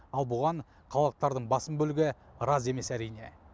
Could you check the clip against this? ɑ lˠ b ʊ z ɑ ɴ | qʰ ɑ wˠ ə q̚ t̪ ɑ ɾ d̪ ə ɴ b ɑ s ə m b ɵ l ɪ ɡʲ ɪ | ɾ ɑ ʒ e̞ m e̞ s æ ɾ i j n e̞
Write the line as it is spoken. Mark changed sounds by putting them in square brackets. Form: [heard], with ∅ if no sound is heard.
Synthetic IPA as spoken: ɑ lˠ b ʊ [ʁ] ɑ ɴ | qʰ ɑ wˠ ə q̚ t̪ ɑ ɾ d̪ ə ɴ b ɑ s ə m b ɵ l ɪ ɡʲ ɪ | ɾ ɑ [z] e̞ m e̞ s æ ɾ i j n e̞